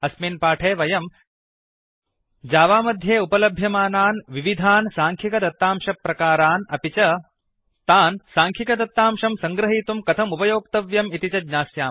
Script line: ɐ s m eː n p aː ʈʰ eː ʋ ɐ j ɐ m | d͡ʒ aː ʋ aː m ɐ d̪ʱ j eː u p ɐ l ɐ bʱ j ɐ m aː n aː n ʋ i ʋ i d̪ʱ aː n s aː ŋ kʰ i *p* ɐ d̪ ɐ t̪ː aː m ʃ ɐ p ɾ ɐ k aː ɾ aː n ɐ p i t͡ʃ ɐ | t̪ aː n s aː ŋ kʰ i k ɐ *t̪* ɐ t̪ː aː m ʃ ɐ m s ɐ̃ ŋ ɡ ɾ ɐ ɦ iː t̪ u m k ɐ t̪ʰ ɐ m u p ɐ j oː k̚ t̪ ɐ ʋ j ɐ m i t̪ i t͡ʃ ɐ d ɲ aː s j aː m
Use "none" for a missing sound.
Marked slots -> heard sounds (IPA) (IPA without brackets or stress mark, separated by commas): k, d̪